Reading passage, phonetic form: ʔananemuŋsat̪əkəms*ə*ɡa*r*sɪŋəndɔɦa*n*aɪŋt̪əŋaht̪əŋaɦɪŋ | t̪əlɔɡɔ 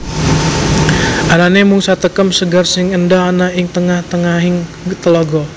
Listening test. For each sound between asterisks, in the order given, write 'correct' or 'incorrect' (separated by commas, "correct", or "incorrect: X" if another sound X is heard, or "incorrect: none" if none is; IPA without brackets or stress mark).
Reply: correct, correct, correct